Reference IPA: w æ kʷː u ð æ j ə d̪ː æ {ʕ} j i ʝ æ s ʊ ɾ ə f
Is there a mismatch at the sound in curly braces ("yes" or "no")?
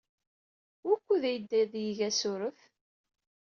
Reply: yes